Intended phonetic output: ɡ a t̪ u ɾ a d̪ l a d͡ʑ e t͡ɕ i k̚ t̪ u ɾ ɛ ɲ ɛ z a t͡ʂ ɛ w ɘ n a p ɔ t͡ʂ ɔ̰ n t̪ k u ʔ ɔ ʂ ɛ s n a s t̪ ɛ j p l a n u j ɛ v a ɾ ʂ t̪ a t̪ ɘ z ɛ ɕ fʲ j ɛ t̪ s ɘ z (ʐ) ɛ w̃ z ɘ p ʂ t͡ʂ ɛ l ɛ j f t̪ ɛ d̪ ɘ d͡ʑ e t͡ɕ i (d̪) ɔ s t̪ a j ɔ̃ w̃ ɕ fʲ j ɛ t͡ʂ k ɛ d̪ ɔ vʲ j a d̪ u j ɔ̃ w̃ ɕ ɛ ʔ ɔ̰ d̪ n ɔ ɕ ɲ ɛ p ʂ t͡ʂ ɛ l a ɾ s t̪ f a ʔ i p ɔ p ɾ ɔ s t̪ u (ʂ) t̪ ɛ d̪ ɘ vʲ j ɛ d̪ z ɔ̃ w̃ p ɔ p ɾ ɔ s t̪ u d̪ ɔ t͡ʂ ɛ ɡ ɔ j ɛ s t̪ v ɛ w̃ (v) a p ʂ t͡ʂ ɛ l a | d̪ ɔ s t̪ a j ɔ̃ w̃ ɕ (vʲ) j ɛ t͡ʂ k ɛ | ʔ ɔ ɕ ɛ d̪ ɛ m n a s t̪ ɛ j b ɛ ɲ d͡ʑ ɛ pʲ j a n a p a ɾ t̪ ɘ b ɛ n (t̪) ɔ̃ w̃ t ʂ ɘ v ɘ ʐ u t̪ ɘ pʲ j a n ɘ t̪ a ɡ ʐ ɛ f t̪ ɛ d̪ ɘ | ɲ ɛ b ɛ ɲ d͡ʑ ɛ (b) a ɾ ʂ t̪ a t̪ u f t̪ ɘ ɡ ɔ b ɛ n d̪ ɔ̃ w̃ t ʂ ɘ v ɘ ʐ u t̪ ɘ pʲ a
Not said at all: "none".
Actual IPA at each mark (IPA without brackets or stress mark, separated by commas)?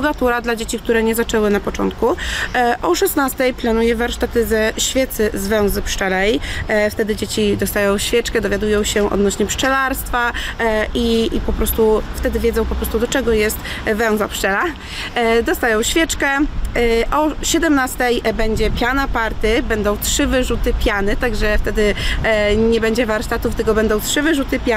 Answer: v, d̪, f, z, fʲ, d̪, v